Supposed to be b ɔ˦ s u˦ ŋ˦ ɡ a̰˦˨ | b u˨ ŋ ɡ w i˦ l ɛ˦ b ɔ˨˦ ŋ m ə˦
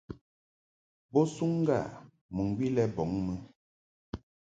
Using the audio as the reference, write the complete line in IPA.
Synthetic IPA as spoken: b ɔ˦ s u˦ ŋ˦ ɡ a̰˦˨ | m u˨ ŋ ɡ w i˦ l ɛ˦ b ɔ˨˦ ŋ m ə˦